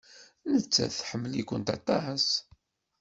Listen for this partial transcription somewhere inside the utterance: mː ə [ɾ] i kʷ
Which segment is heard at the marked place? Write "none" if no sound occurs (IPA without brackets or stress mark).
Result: l